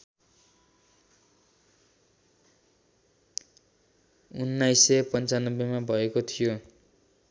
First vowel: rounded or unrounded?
rounded